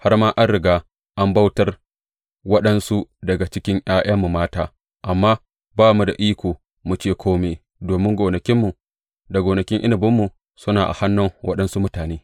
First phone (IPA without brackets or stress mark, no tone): h